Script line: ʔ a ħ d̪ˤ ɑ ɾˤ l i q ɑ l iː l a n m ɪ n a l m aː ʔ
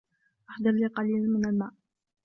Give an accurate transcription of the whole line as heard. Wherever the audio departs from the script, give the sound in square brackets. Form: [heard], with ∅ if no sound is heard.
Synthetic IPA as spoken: ʔ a ħ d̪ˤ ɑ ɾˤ l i q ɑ l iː l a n m ɪ n a l m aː ʔ